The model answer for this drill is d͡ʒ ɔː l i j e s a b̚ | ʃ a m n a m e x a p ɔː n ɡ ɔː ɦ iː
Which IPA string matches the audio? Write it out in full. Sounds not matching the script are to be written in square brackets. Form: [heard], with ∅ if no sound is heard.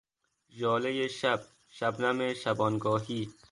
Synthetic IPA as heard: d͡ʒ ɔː l [e] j e [ʃ] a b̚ | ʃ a [b] n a m e [ʃ] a [b] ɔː n ɡ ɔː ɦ iː